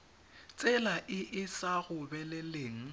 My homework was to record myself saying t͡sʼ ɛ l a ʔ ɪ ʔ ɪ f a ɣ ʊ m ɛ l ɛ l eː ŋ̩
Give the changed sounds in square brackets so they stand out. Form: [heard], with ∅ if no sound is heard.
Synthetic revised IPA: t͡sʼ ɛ l a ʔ ɪ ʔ ɪ [s] a ɣ ʊ [b] ɛ l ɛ l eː ŋ̩